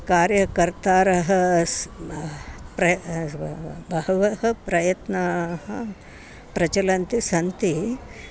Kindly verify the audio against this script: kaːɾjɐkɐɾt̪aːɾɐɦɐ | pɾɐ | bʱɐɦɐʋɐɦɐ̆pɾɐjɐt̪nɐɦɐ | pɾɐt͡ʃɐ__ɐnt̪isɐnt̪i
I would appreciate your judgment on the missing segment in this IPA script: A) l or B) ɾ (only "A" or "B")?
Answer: A